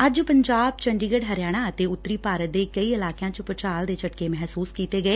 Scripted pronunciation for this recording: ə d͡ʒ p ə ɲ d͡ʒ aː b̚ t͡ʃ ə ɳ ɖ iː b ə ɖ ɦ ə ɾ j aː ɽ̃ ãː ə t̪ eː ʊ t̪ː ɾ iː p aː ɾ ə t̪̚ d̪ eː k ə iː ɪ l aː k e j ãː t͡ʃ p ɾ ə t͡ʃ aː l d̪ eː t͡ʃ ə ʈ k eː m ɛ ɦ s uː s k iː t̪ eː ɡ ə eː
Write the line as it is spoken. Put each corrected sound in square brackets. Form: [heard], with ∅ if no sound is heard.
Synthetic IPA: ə d͡ʒ p ə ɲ d͡ʒ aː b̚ t͡ʃ ə ɳ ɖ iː [ɡ] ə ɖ ɦ ə ɾ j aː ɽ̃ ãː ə t̪ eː ʊ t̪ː ɾ iː p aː ɾ ə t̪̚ d̪ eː k ə iː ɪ l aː k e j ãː t͡ʃ p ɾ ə t͡ʃ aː l d̪ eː t͡ʃ ə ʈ k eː m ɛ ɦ s uː s k iː t̪ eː ɡ ə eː